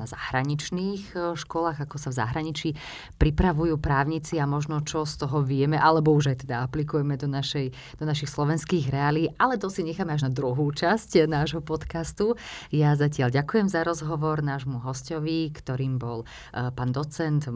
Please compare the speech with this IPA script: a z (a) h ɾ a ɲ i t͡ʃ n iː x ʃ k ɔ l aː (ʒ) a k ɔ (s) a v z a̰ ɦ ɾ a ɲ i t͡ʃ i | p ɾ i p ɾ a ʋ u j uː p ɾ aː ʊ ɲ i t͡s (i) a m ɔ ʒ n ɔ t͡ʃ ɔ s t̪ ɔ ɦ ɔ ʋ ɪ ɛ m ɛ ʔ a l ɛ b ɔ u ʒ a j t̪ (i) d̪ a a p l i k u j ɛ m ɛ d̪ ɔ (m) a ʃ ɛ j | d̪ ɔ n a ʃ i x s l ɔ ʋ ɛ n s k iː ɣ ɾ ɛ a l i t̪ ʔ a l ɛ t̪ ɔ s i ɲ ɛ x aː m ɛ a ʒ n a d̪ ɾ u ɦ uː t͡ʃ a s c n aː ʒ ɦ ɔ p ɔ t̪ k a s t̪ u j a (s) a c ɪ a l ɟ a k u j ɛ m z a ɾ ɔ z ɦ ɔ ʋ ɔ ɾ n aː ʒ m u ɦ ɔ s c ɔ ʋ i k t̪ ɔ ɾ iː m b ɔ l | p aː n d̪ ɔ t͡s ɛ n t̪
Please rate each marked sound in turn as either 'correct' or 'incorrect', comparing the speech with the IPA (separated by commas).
correct, incorrect, correct, correct, incorrect, incorrect, incorrect